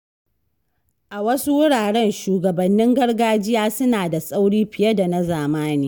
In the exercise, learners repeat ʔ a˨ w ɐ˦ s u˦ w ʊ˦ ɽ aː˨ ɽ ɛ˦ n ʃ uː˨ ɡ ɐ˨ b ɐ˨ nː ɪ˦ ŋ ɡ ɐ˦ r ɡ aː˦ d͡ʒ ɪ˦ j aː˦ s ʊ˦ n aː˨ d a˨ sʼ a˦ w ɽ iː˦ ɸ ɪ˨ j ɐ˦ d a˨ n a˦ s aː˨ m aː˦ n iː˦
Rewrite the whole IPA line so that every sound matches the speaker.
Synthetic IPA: ʔ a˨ w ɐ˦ s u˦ w ʊ˦ ɽ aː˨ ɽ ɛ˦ n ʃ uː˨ ɡ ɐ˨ b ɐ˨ nː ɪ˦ ŋ ɡ ɐ˦ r ɡ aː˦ d͡ʒ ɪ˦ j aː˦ s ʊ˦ n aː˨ d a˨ sʼ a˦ w ɽ iː˦ ɸ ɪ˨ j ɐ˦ d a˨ n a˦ z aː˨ m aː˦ n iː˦